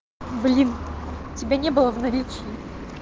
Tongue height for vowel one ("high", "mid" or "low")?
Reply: high